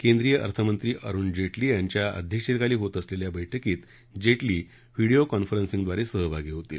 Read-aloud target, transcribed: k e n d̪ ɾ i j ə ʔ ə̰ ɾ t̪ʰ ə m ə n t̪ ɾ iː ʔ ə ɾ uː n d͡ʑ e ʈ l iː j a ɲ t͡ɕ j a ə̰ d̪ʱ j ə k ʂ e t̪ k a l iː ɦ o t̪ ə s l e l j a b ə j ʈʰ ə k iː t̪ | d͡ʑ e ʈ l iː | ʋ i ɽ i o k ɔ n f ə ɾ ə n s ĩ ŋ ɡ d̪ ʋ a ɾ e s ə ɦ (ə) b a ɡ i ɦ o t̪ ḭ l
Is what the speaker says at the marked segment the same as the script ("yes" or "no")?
yes